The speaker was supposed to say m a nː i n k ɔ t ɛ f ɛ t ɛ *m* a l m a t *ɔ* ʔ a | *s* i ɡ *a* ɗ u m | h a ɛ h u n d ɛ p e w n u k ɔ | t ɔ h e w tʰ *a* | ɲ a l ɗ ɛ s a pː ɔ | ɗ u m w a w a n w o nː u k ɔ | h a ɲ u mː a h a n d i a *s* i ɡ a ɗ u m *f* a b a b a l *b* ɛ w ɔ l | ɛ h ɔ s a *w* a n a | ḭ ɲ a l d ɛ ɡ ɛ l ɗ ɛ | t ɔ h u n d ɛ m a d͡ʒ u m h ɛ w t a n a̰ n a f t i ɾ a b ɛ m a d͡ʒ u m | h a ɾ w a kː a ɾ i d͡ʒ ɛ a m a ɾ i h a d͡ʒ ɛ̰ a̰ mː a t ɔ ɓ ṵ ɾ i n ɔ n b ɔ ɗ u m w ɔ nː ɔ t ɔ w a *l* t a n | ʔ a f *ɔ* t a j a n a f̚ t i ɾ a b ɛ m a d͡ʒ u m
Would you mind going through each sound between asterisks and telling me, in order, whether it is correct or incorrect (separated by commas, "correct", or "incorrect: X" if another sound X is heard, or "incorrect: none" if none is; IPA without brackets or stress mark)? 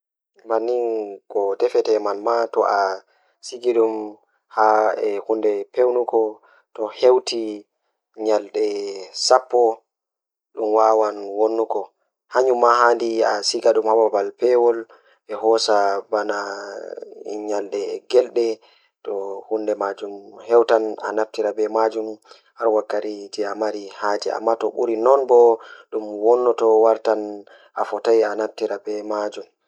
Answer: correct, correct, correct, incorrect: i, incorrect: i, correct, incorrect: h, incorrect: p, incorrect: b, incorrect: ɾ, correct